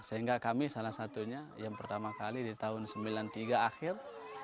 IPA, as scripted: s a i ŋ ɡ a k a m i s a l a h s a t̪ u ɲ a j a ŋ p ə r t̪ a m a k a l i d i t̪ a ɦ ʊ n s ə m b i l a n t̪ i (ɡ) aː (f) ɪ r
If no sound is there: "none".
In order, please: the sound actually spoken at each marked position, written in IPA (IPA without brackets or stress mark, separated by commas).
ɡ, x